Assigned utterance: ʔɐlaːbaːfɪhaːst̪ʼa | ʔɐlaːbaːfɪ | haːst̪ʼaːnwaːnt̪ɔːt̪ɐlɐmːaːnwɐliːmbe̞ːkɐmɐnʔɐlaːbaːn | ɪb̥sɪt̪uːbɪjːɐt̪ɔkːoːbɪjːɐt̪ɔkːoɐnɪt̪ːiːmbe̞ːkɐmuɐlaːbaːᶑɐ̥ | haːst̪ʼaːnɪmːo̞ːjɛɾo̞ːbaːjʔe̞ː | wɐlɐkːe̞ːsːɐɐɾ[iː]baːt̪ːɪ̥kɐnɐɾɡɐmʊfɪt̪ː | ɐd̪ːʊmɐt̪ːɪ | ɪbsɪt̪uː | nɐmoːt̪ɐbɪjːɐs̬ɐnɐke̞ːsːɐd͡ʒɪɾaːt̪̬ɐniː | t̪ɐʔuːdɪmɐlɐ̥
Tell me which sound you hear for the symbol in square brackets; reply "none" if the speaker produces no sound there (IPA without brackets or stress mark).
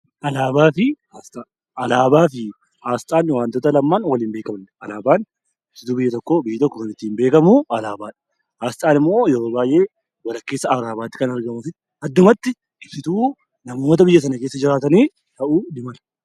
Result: aː